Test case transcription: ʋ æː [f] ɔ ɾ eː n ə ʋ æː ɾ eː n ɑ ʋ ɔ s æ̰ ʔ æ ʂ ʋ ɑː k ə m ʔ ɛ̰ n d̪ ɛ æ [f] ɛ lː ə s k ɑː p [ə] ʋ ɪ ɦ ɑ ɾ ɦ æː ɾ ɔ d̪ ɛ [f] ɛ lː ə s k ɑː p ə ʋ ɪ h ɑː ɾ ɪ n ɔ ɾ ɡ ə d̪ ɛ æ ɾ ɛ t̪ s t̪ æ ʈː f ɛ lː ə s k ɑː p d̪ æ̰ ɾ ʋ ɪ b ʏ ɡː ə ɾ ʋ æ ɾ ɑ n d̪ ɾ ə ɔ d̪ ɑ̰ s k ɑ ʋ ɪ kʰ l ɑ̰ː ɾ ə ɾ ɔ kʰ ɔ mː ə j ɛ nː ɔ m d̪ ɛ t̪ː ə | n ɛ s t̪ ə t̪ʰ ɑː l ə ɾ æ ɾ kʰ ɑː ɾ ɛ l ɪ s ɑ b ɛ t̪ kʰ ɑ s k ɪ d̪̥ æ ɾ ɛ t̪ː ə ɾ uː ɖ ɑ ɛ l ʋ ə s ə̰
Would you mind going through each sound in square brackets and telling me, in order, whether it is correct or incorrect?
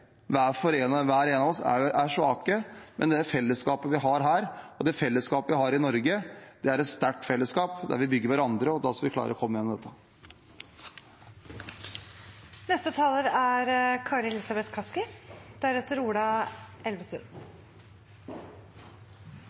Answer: correct, correct, correct, correct

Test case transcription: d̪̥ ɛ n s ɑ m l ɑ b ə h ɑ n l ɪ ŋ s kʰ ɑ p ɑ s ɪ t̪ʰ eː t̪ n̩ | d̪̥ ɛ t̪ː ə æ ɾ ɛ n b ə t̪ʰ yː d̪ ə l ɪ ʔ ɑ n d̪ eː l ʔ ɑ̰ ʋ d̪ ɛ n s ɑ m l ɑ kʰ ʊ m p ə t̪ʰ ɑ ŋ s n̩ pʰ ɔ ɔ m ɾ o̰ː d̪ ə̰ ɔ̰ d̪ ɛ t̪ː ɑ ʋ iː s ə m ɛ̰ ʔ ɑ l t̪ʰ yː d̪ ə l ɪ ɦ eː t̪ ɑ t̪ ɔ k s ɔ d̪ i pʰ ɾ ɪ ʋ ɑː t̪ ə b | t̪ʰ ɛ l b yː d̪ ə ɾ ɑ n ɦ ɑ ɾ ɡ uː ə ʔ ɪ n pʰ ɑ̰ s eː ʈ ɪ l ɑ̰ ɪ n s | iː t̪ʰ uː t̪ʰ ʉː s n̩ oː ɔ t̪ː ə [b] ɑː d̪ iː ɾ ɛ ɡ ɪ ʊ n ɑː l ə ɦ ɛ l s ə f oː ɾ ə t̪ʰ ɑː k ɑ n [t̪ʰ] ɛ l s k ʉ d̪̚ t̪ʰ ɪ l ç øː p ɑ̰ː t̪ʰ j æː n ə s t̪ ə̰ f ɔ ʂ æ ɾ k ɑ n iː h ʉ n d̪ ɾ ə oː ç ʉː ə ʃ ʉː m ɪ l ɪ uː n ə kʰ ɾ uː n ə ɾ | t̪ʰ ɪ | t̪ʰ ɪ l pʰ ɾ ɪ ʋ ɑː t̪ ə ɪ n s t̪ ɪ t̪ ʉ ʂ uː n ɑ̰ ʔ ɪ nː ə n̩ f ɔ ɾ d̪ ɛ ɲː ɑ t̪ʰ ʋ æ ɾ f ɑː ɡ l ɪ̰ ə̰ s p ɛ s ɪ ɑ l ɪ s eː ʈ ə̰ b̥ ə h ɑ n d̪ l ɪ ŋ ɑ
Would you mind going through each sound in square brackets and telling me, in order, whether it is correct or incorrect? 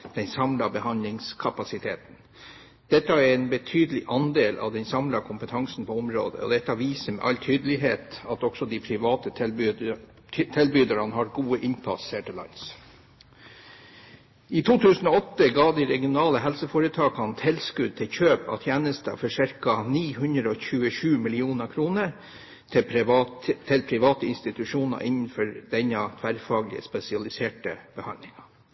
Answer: incorrect: ɡ, correct

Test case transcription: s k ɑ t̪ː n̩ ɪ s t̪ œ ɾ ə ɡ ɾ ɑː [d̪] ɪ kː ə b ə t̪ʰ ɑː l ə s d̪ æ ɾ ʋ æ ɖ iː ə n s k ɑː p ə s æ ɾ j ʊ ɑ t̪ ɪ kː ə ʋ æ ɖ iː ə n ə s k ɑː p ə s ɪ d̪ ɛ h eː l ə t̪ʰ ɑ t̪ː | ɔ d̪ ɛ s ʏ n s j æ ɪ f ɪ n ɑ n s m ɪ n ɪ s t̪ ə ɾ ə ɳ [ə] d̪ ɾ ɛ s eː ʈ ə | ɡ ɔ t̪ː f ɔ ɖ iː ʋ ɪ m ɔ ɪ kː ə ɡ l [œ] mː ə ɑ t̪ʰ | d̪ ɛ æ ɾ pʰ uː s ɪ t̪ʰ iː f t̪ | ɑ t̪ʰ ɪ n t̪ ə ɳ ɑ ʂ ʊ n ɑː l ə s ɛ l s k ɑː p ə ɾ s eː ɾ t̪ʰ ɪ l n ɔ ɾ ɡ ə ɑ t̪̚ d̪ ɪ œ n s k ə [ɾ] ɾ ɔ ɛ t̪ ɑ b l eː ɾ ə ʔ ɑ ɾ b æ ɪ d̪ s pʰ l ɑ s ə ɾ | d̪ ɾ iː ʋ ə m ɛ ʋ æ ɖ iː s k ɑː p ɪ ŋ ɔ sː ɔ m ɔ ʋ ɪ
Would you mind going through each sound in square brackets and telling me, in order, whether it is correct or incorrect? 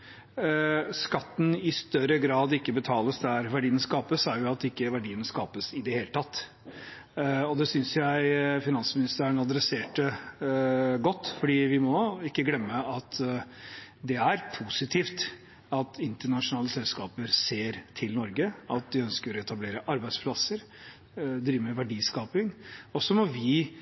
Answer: correct, incorrect: ɑ, incorrect: ɛ, correct

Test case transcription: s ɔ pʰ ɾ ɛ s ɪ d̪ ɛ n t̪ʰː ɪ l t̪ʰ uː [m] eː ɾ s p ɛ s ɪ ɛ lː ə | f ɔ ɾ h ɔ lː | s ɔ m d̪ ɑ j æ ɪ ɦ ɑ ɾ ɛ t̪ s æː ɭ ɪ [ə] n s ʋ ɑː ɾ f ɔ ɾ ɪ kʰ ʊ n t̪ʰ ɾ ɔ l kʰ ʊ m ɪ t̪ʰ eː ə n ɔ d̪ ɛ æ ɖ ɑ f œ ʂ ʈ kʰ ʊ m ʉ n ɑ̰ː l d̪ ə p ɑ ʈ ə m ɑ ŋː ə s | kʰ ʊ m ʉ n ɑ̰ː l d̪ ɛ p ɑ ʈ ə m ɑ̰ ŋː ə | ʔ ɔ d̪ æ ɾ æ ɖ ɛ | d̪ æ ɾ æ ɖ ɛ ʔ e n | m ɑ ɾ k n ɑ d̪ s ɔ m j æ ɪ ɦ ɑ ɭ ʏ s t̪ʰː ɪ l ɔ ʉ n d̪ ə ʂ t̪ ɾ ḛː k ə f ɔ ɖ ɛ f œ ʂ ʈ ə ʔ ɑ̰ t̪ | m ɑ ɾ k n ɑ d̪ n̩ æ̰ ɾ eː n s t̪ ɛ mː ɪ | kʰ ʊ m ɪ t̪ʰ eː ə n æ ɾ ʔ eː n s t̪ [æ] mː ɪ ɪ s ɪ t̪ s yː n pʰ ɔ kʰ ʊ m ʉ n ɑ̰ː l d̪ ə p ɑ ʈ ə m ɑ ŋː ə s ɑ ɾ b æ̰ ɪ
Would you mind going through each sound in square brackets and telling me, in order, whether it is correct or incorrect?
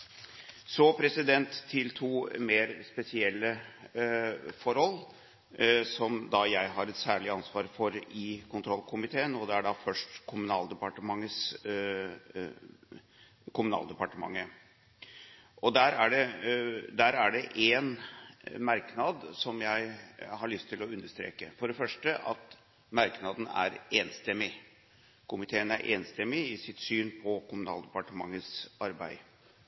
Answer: correct, incorrect: ɑ, incorrect: ɛ

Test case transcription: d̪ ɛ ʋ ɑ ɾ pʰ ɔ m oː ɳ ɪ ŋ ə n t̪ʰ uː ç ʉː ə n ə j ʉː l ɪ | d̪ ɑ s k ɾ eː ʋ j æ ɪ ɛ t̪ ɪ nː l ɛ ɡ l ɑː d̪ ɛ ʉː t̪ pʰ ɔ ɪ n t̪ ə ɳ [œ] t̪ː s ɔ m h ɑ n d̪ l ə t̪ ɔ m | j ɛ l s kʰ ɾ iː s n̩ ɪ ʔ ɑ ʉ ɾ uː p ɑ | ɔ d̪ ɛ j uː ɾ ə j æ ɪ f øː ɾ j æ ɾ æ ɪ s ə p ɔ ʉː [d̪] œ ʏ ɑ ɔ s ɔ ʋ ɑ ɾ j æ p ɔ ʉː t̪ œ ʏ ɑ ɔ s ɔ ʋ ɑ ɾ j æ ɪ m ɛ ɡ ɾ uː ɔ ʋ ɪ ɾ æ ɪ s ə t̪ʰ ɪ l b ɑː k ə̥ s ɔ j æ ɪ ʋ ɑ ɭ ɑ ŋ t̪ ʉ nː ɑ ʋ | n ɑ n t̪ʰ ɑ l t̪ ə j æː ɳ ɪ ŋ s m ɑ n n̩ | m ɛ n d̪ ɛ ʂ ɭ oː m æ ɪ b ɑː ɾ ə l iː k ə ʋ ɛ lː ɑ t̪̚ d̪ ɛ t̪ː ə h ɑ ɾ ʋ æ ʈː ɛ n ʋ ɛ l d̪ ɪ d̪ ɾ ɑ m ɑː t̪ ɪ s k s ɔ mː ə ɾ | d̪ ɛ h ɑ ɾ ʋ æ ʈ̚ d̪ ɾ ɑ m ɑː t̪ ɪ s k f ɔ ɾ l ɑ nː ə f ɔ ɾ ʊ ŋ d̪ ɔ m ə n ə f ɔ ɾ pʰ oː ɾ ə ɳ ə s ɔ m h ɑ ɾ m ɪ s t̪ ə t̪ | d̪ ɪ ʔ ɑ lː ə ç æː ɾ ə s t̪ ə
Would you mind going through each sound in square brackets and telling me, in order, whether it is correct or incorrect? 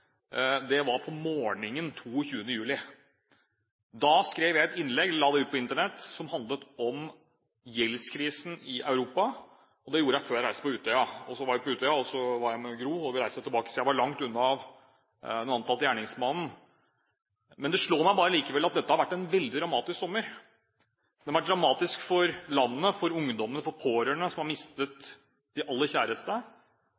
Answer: incorrect: ɛ, incorrect: t̪

